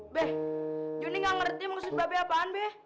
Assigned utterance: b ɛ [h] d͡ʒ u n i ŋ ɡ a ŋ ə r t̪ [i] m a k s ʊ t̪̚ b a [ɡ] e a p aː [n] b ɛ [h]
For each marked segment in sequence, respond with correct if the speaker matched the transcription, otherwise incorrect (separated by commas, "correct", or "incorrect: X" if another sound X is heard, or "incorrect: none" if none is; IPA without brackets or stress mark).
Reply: correct, correct, incorrect: b, correct, correct